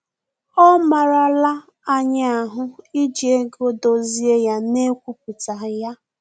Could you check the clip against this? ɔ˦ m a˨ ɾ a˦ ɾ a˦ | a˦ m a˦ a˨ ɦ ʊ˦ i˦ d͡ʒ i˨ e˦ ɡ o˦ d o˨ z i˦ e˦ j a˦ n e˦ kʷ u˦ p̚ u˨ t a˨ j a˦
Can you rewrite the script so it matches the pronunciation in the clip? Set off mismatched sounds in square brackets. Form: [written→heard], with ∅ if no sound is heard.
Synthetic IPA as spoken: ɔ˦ m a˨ ɾ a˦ [ɾ→l] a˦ | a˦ [m→ɲ] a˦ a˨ ɦ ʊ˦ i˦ d͡ʒ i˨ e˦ ɡ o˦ d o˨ z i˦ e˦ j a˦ n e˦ kʷ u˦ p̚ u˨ t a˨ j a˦

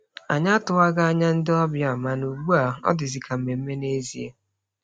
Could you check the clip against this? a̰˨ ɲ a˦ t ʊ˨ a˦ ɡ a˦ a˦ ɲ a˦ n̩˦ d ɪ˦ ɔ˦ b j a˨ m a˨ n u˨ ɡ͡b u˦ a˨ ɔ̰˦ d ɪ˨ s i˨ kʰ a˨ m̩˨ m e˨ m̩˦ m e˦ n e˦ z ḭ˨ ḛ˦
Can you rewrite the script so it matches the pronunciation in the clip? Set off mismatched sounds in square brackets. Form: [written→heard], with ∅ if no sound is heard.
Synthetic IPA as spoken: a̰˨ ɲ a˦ t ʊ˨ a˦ ɡ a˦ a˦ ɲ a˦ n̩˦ d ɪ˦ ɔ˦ b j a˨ m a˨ n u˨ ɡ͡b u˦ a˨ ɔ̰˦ d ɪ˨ [s→z] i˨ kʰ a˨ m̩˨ m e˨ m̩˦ m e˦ n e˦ z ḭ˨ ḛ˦

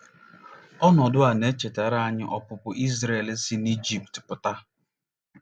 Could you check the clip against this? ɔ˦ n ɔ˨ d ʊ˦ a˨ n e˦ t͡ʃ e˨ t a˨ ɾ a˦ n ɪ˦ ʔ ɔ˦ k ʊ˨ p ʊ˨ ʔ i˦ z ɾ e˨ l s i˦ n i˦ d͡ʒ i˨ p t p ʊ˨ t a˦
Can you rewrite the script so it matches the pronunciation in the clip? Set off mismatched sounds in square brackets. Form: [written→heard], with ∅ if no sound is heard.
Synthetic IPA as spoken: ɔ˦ n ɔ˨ d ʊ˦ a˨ n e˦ t͡ʃ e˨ t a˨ ɾ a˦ [n→ɲ] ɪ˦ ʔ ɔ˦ [k→p] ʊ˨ p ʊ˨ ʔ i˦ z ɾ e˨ l s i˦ n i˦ d͡ʒ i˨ p t p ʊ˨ t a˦

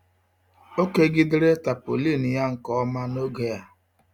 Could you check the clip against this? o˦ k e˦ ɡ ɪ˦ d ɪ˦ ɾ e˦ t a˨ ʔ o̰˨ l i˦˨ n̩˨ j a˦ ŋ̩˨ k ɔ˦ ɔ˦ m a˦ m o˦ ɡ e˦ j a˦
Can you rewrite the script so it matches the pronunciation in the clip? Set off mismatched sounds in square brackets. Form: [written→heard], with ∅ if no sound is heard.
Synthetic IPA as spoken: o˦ k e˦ ɡ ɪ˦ d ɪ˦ ɾ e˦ t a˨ [ʔ→p] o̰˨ l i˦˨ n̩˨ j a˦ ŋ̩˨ k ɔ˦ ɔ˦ m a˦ [m→n] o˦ ɡ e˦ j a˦

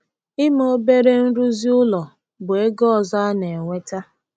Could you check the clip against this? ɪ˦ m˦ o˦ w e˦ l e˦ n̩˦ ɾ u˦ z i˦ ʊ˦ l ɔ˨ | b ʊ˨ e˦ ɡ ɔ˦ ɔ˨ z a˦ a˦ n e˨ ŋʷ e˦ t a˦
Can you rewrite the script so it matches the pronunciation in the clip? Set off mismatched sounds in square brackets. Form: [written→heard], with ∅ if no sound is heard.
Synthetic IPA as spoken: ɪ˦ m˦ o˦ [w→b] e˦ [l→ɾ] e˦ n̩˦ ɾ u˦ z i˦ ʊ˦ l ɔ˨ | b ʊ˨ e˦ ɡ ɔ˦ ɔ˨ z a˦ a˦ n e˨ ŋʷ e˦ t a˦

